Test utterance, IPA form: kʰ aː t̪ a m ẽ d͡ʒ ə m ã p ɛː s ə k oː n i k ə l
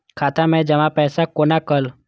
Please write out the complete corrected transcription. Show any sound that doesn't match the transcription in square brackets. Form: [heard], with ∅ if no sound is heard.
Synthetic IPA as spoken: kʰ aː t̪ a m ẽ d͡ʒ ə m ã p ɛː s [a] k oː n [a] k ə l